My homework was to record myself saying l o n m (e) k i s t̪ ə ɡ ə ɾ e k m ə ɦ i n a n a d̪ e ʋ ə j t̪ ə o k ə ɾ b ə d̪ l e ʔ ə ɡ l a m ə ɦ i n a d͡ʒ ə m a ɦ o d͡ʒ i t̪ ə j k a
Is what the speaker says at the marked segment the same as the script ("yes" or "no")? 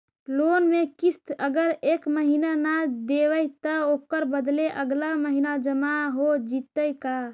yes